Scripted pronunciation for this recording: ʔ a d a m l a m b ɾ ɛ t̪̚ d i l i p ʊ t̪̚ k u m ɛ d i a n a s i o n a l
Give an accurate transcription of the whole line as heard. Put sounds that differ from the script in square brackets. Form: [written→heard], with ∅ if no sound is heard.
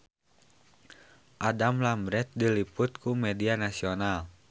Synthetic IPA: ʔ a d a m l a m b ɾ ɛ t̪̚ d i l i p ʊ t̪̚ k u m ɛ d i a n a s i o n a l